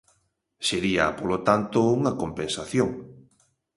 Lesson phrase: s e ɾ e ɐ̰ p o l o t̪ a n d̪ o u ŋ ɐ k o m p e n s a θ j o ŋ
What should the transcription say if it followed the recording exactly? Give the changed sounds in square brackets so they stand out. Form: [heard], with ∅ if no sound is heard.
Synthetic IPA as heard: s e ɾ [i] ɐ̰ p o l o t̪ a n [t̪] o u ŋ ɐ k o m p e n s a θ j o ŋ